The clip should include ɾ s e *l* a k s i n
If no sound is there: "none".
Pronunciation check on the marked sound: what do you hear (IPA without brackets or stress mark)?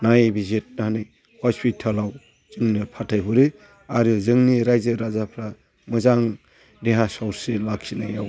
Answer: l